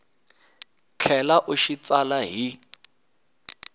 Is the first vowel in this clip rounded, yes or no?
no